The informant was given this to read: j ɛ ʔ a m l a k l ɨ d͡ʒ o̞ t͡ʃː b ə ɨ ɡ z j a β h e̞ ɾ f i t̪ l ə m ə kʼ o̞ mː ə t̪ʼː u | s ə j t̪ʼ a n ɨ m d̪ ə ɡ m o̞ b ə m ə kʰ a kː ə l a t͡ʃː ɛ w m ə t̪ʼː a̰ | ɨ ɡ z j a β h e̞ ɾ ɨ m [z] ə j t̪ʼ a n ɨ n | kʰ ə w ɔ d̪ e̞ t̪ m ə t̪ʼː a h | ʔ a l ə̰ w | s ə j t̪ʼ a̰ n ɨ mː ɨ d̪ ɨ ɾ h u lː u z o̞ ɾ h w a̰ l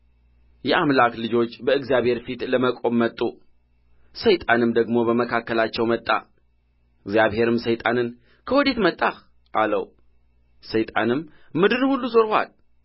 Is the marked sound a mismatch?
yes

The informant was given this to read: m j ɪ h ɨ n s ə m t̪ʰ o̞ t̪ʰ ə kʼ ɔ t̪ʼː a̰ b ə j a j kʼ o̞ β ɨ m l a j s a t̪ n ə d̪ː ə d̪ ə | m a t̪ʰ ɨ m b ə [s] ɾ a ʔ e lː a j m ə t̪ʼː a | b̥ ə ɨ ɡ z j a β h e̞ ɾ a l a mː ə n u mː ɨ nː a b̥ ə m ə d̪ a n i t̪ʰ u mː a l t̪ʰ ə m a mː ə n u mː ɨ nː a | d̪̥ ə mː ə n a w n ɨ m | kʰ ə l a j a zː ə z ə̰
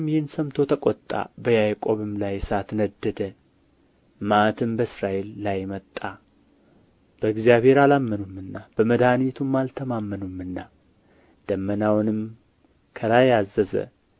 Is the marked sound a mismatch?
no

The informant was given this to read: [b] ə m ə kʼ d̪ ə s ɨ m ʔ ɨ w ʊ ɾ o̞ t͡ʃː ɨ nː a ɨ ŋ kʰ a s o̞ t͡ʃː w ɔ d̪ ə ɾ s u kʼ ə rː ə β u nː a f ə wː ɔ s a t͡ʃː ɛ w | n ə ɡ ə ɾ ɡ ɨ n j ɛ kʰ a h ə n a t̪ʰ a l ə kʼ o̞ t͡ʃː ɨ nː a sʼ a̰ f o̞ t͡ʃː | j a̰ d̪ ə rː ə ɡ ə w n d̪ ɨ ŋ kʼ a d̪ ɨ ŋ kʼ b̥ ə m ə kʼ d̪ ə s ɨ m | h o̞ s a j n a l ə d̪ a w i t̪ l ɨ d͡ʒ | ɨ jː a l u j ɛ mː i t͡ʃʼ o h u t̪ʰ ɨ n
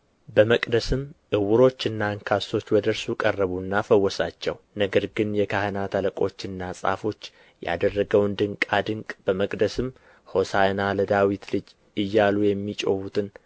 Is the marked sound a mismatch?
no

